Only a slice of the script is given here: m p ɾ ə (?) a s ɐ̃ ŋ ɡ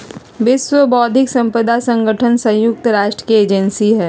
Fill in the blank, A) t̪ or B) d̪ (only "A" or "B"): B